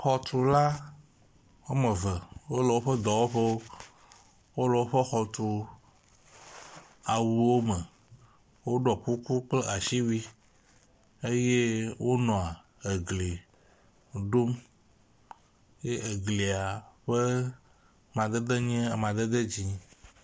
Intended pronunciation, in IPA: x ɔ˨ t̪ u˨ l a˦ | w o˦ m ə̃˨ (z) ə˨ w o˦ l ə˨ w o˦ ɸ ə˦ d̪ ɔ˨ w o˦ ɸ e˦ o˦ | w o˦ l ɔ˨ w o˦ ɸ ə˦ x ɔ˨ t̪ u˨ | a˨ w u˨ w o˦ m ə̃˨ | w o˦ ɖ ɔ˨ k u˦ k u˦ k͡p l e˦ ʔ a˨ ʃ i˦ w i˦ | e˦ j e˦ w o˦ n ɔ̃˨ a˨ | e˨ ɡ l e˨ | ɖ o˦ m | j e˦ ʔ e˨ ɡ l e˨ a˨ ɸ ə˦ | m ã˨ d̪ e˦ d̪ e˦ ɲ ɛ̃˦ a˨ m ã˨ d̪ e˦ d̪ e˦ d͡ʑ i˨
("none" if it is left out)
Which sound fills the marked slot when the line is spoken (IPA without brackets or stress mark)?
v